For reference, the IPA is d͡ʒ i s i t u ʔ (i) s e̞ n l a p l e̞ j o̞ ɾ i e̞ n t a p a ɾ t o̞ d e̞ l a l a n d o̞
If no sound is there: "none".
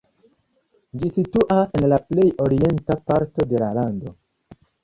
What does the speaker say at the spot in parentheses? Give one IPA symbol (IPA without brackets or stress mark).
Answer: a